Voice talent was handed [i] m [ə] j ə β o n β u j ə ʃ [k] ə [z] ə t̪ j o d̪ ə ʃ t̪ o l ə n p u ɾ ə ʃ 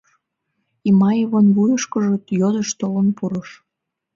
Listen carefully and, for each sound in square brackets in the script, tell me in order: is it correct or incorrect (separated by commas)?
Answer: correct, incorrect, correct, incorrect